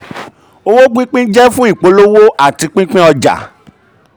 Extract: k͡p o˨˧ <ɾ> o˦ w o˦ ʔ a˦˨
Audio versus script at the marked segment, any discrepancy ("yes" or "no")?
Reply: yes